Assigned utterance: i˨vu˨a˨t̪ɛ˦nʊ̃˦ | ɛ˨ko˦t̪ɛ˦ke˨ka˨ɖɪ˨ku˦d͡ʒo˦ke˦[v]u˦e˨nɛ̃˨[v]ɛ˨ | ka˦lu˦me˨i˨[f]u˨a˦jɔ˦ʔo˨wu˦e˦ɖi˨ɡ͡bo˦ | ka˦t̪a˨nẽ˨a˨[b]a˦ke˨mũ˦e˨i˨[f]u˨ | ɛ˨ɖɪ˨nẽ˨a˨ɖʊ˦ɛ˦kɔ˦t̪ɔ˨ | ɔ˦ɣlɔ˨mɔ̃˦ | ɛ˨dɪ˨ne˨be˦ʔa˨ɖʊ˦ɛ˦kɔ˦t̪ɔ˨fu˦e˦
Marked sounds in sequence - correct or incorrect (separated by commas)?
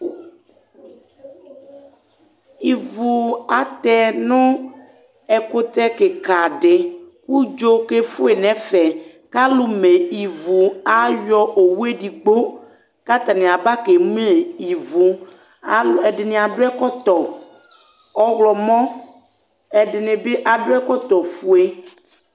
incorrect, incorrect, incorrect, correct, incorrect